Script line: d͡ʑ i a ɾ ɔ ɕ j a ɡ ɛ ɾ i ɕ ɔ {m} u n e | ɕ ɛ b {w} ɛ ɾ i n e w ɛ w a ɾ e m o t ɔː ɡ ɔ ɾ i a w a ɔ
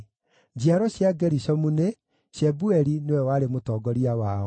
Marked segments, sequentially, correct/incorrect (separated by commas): correct, incorrect